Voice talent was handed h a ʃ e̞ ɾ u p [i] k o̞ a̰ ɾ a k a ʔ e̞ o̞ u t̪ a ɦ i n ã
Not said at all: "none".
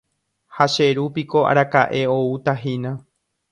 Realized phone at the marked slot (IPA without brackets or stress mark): i